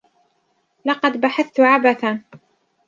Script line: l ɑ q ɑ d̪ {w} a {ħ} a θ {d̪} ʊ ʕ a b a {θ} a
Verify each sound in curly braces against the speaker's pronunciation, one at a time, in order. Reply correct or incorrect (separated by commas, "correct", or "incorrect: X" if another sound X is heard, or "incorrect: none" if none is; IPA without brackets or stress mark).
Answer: incorrect: b, correct, incorrect: t̪, correct